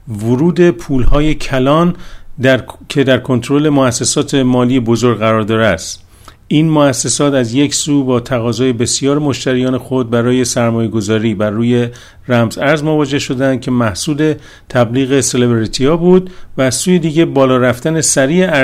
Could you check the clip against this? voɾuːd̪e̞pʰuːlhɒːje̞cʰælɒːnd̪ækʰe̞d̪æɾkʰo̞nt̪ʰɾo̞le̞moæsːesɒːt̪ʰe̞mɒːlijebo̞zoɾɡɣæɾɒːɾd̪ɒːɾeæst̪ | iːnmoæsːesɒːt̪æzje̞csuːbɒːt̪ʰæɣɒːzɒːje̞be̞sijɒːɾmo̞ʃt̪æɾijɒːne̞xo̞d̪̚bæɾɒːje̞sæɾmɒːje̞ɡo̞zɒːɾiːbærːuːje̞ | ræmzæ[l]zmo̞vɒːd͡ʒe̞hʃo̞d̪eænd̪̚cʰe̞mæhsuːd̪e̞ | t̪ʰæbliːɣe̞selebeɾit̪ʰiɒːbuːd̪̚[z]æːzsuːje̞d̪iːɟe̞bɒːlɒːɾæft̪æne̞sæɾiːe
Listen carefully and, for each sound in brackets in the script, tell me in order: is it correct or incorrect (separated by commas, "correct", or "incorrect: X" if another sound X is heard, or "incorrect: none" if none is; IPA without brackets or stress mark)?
incorrect: ɾ, incorrect: v